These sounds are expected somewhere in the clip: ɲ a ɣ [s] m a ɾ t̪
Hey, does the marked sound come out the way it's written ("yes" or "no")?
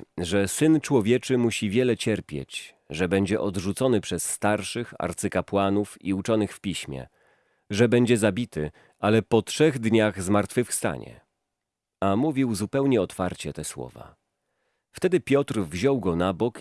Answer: no